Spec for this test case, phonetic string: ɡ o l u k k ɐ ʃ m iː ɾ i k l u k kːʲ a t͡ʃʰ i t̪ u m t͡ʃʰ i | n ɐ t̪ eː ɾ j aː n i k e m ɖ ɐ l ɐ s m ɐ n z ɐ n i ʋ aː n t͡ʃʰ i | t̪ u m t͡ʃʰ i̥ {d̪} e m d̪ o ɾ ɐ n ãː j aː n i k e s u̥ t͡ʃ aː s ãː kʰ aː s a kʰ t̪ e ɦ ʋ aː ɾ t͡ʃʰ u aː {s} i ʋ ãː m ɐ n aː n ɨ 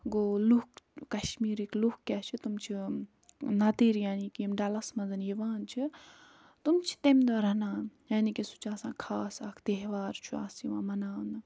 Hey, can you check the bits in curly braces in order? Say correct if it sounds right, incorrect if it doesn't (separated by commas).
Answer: incorrect, correct